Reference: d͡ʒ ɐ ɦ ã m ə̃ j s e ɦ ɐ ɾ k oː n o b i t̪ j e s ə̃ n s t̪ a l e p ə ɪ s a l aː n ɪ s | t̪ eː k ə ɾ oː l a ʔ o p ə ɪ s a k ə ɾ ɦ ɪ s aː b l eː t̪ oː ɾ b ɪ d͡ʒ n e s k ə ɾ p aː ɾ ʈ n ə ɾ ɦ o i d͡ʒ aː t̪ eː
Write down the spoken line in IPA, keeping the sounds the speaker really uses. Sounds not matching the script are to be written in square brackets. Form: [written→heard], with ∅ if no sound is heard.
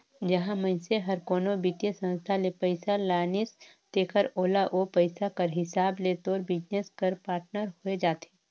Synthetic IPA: d͡ʒ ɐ ɦ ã m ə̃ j s e ɦ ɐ ɾ k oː n o b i t̪ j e s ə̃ n s [t̪→t̪ʰ] a l e p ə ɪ s a l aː n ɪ s | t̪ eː k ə ɾ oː l a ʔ o p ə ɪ s a k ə ɾ ɦ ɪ s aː b l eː t̪ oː ɾ b ɪ d͡ʒ n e s k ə ɾ p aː ɾ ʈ n ə ɾ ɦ o [i→e] d͡ʒ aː t̪ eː